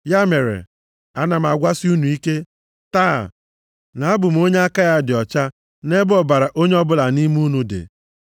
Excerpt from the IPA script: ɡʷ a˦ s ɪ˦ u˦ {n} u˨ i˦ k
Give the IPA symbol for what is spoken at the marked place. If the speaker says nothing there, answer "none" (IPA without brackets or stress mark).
n